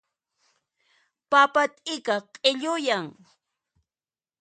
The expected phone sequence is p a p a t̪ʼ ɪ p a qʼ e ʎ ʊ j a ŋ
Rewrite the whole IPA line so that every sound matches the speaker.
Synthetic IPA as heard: p a p a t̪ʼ ɪ k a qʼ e ʎ ʊ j a ŋ